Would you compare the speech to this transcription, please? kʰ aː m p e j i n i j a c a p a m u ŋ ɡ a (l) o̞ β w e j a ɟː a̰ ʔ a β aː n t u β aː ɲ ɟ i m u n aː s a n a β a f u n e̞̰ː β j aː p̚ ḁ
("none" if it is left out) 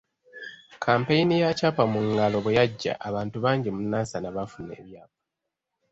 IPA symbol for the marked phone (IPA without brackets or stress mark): l